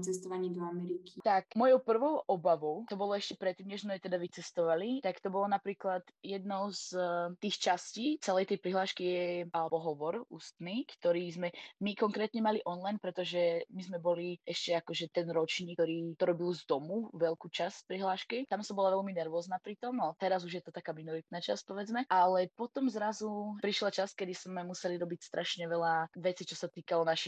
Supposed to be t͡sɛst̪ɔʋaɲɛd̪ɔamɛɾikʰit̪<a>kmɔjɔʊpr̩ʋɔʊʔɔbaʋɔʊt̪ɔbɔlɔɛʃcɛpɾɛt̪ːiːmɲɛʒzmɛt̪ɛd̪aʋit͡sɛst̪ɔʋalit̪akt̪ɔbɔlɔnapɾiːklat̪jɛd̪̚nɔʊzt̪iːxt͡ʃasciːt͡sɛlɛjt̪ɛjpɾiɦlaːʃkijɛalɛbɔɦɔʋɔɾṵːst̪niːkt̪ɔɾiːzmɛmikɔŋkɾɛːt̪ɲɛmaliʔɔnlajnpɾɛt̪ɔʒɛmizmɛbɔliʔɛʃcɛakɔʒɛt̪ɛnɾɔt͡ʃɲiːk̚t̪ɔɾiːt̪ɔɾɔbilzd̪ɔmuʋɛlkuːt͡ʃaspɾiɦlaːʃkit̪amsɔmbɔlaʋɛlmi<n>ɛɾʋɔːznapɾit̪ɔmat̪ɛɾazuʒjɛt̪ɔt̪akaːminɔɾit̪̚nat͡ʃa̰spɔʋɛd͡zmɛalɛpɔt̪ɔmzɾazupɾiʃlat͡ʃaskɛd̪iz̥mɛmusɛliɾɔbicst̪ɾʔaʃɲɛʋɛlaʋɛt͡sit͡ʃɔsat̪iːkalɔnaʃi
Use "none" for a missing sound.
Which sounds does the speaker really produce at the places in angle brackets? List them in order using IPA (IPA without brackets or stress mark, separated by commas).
a, n